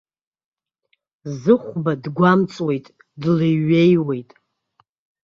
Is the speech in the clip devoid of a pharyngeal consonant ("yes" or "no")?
yes